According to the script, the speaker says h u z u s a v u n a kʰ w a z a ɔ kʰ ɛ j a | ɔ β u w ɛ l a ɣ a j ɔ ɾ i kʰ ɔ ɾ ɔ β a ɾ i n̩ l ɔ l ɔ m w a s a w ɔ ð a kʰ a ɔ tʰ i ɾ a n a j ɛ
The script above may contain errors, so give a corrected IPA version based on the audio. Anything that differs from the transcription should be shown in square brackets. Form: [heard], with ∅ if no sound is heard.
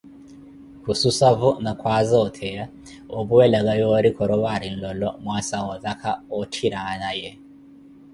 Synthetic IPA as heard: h u [s] u s a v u n a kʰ w a z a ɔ [tʰ] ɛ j a | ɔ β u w ɛ l a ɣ a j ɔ ɾ i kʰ ɔ ɾ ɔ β a ɾ i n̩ l ɔ l ɔ m w a s a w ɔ ð a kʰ a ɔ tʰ i ɾ a n a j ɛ